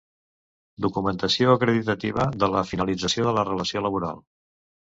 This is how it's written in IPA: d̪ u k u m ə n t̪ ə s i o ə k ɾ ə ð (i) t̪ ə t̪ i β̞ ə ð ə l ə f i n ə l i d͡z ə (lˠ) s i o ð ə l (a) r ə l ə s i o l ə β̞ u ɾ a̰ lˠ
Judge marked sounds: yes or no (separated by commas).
yes, no, no